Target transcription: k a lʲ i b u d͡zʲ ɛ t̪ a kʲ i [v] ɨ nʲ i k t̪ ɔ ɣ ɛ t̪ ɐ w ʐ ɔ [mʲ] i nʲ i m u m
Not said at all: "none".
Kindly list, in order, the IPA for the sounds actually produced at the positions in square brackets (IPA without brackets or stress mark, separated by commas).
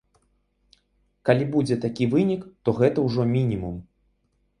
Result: v, mʲ